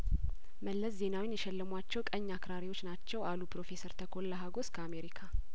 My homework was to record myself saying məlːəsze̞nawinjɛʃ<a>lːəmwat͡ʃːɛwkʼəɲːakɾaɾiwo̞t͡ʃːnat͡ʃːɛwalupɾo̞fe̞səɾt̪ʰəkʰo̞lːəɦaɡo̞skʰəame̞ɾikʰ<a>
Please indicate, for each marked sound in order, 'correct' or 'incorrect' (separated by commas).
incorrect, correct